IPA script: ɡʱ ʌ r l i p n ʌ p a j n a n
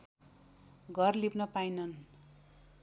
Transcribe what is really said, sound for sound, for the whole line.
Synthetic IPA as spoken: ɡʱ ʌ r l i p n ʌ p a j n ʌ n